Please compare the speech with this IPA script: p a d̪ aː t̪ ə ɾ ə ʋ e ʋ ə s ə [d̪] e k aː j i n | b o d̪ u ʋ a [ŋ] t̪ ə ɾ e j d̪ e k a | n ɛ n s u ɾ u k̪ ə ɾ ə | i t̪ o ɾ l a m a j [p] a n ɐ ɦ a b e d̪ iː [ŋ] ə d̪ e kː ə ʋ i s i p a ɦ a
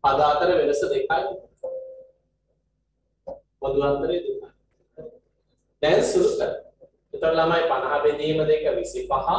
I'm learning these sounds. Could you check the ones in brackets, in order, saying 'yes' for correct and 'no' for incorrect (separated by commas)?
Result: yes, no, yes, no